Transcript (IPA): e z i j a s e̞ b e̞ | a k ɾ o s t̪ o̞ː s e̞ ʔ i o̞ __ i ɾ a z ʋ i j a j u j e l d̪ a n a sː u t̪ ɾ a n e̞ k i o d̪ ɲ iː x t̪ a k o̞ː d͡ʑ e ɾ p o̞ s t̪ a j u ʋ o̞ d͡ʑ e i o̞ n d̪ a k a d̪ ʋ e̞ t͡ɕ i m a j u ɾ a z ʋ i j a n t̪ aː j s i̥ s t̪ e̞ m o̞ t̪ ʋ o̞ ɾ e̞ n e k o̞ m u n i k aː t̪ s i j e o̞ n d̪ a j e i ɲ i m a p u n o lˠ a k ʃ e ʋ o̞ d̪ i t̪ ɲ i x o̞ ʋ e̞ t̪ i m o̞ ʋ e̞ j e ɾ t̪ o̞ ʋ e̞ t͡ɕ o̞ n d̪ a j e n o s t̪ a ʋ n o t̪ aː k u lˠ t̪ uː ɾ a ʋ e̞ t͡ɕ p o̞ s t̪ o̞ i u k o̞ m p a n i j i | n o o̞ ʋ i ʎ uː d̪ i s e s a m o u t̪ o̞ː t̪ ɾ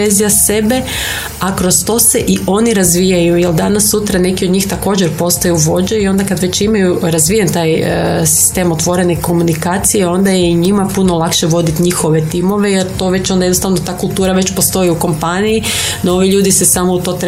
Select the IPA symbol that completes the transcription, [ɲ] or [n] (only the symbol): n